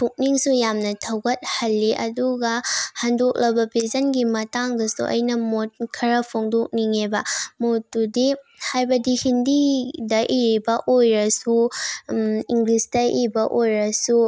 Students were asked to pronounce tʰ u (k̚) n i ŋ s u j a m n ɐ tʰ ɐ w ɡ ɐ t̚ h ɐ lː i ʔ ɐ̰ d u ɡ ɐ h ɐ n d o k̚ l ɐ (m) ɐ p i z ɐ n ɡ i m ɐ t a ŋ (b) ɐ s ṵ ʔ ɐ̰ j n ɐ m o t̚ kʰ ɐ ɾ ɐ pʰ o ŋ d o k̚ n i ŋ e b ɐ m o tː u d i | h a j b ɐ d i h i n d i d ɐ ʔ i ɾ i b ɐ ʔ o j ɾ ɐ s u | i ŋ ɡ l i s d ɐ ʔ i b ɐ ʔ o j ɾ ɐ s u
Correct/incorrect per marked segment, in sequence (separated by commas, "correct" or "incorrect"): correct, incorrect, incorrect